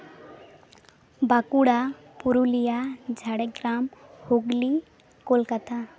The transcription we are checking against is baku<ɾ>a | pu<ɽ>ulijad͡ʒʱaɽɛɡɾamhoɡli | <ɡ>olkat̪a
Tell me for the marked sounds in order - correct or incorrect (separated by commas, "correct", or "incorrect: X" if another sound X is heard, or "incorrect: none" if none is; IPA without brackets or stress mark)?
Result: incorrect: ɽ, incorrect: ɾ, incorrect: k